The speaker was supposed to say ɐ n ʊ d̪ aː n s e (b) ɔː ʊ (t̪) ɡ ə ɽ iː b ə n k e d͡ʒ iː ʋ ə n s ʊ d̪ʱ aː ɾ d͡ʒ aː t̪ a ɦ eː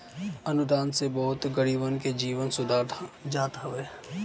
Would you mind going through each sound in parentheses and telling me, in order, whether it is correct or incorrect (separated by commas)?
correct, correct